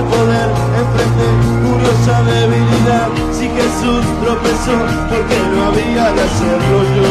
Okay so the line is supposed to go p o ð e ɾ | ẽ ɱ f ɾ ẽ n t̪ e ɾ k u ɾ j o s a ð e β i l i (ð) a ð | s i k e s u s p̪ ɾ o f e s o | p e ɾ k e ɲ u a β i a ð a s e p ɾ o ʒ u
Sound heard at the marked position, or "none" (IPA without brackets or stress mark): ð